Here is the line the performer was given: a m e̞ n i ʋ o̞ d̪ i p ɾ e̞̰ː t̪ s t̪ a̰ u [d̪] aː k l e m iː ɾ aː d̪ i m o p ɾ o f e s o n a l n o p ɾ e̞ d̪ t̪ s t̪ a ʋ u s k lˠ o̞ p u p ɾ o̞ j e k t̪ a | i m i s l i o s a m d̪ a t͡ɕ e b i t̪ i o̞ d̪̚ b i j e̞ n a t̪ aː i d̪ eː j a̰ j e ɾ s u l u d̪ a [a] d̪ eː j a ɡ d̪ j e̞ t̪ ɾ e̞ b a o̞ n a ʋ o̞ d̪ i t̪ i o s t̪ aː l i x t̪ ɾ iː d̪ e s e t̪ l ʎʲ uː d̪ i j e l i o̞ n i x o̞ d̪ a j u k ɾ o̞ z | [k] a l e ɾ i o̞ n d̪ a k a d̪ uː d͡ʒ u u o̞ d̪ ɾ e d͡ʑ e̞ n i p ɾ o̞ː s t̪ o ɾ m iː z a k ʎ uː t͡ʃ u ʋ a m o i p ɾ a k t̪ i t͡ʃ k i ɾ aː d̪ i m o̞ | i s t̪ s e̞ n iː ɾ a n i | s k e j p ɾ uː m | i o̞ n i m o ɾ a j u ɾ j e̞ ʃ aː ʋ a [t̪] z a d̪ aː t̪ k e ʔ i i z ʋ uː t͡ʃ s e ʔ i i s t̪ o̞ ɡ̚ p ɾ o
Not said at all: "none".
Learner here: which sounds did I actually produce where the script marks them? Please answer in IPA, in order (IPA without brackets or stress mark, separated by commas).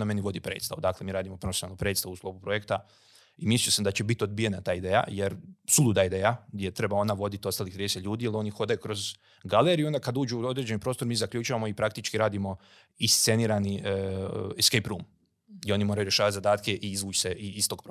d̪, i, ɡ, t̪